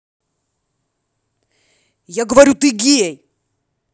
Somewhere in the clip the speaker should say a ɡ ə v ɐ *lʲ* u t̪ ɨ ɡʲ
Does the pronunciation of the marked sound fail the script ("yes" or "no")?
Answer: yes